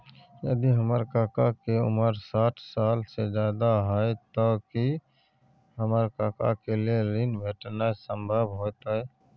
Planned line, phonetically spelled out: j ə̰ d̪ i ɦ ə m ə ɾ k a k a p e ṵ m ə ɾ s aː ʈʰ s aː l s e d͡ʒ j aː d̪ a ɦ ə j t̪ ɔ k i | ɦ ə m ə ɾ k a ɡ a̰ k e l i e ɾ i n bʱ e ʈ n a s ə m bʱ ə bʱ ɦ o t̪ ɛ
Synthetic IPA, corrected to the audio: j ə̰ d̪ i ɦ ə m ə ɾ k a k a k e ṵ m ə ɾ s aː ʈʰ s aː l s e d͡ʒ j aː d̪ a ɦ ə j t̪ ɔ k i | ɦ ə m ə ɾ k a k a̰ k e l i e ɾ i n bʱ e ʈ n a s ə m bʱ ə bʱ ɦ o t̪ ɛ